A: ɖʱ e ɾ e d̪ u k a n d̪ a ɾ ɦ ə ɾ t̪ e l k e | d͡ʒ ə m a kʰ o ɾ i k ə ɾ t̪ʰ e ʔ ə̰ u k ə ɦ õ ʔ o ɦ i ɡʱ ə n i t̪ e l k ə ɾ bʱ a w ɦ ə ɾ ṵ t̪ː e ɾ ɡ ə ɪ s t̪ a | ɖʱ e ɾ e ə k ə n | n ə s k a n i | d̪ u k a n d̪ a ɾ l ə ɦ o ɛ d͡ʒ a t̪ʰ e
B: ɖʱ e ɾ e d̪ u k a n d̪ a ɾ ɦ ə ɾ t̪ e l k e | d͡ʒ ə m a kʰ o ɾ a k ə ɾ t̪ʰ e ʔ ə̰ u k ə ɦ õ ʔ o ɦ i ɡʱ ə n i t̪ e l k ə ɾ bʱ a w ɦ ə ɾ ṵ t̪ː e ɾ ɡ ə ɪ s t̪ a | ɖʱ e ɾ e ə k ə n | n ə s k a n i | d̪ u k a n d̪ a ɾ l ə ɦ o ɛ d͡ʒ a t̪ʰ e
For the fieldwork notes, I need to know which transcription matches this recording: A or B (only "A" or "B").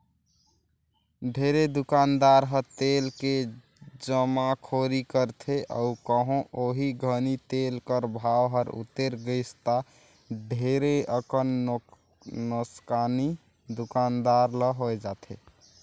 A